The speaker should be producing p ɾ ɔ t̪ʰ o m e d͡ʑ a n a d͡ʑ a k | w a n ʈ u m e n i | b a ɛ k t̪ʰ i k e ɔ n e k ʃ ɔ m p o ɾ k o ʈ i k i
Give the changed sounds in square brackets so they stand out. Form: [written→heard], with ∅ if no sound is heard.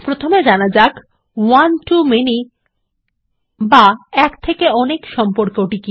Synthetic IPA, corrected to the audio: p ɾ [ɔ→o] t̪ʰ o m e d͡ʑ a n a d͡ʑ a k | w a n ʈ u m e n i | b a ɛ k t̪ʰ [i→e] k e ɔ n e k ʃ ɔ m p o ɾ k o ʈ i k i